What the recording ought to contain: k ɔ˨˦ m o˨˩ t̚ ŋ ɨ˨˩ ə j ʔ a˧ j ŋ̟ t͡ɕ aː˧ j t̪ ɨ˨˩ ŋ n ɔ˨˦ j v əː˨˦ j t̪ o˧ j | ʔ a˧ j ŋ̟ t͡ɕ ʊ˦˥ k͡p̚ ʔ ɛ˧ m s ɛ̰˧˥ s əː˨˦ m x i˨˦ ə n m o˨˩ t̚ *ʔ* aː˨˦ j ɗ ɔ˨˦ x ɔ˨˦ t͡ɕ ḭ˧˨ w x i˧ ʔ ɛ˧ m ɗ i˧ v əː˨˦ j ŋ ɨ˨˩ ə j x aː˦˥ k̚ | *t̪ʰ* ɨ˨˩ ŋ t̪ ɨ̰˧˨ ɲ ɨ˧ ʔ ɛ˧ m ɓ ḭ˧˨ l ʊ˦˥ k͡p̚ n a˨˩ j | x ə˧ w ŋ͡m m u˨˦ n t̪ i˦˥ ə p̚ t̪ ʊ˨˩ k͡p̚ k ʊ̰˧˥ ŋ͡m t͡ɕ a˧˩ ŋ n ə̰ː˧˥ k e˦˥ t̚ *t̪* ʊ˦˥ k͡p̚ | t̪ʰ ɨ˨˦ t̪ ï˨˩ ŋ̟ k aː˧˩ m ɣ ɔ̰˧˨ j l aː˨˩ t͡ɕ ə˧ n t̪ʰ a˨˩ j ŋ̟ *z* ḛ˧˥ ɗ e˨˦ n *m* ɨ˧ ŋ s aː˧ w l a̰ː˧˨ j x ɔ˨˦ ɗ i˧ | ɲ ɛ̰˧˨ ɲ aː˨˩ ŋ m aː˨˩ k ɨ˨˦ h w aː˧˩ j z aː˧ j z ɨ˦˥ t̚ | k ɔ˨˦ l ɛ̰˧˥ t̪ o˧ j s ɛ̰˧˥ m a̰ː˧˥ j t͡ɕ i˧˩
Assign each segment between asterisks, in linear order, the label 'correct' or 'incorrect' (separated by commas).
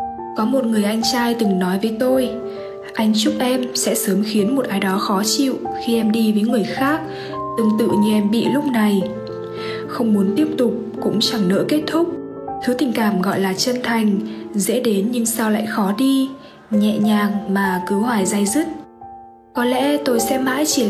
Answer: correct, incorrect, incorrect, correct, incorrect